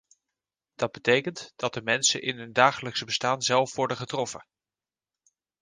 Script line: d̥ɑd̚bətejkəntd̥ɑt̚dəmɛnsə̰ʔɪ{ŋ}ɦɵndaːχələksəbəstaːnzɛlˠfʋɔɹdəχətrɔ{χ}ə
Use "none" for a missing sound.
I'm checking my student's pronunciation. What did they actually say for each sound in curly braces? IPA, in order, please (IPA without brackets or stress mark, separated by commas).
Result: n, f